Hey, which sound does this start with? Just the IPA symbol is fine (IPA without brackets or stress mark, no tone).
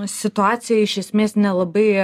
sʲ